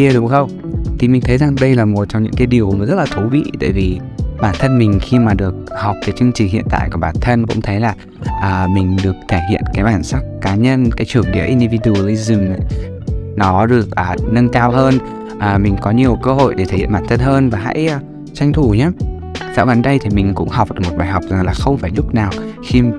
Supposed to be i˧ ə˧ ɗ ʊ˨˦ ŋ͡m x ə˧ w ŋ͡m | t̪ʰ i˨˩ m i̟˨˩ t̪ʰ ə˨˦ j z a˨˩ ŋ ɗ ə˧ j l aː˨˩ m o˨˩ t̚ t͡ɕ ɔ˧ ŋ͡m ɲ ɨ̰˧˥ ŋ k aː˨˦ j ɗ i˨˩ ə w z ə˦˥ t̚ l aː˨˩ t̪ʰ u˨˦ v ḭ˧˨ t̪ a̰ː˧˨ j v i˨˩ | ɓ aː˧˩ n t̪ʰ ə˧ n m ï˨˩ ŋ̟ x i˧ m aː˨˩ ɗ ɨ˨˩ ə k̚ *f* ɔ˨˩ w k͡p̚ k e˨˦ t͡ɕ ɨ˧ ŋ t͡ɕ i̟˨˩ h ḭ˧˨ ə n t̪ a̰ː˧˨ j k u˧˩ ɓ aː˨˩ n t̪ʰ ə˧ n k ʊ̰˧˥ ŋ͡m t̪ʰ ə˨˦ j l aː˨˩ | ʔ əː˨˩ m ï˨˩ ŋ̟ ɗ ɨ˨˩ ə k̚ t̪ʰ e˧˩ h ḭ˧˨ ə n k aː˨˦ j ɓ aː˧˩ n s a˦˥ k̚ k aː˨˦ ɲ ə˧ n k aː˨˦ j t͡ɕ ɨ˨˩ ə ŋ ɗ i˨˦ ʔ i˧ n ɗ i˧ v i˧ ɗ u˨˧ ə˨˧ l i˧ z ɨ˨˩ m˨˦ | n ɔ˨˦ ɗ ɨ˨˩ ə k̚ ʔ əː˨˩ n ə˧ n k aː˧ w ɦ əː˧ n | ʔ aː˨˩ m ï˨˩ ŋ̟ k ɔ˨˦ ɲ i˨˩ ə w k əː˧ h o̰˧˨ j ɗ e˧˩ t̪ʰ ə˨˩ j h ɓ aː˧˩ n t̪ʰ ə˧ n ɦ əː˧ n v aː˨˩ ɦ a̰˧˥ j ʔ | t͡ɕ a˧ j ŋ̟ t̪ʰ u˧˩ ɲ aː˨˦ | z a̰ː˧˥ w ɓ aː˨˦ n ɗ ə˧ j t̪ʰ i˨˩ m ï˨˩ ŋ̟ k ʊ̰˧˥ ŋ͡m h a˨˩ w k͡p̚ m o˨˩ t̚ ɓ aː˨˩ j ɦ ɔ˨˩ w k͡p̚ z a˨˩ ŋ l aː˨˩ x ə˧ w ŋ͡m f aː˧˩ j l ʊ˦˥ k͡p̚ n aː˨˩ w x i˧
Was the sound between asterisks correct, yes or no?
no